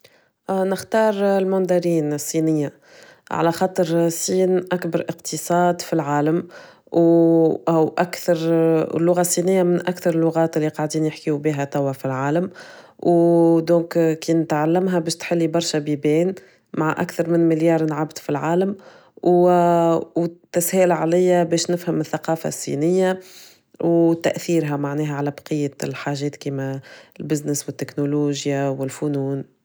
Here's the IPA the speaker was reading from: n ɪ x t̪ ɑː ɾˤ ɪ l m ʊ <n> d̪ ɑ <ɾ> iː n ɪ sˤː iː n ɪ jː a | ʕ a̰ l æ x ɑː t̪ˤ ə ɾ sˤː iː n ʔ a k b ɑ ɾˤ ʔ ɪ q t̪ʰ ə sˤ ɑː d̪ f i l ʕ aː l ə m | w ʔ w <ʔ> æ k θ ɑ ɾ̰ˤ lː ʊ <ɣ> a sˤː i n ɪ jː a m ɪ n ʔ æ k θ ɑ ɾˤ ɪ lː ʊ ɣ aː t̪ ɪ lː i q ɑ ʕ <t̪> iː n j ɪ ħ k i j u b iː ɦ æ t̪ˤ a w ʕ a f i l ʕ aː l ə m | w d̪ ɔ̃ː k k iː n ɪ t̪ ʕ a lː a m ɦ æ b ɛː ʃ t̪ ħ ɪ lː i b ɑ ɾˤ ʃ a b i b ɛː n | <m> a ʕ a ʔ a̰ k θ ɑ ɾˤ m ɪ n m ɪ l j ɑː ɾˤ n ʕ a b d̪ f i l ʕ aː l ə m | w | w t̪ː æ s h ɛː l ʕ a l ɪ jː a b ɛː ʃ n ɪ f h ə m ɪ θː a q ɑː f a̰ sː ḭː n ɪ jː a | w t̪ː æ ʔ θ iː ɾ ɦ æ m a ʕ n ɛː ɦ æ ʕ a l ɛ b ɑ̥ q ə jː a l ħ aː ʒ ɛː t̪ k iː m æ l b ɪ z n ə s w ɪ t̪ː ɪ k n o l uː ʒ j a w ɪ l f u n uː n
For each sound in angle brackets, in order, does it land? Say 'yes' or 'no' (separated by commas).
yes, yes, yes, yes, no, yes